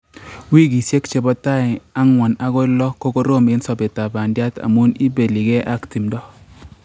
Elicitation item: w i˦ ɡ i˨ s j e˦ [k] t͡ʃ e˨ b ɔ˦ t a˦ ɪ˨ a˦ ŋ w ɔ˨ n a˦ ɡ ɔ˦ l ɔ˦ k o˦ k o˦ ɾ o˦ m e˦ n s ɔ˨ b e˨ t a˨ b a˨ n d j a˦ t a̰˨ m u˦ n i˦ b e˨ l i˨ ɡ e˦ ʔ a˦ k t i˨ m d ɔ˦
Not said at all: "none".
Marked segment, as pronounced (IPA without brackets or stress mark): k